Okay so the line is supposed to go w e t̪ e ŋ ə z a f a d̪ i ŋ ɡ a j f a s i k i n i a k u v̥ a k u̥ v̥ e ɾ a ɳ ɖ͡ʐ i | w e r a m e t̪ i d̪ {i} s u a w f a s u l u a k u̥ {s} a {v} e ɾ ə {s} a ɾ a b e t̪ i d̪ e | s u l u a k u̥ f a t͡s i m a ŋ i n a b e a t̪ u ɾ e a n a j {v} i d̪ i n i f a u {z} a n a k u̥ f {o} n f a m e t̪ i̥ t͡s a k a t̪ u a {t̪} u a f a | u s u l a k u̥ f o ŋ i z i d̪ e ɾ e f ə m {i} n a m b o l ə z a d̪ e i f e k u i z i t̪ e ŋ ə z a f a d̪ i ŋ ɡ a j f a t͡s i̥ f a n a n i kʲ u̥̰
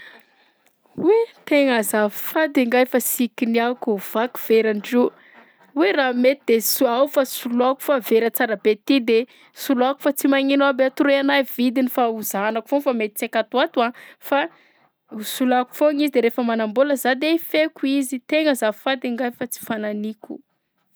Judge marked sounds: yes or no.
no, no, yes, no, yes, yes, yes, yes, no

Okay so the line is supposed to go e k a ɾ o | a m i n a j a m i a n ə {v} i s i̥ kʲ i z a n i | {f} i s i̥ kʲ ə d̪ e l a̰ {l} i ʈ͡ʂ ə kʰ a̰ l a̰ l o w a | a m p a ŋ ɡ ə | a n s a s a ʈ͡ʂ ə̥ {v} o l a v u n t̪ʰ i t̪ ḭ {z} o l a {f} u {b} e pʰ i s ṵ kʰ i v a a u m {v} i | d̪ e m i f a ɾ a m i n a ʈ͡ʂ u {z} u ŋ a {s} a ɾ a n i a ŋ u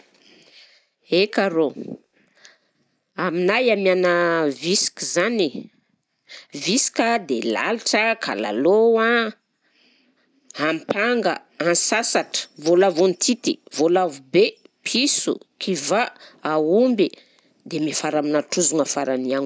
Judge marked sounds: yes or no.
yes, no, yes, yes, no, no, yes, no, yes, no

